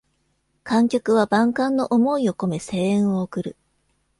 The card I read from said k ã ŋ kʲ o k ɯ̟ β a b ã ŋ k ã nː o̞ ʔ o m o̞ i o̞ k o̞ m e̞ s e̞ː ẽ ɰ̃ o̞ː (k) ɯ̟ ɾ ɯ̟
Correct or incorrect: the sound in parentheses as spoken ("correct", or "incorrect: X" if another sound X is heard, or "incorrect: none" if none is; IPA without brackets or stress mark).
correct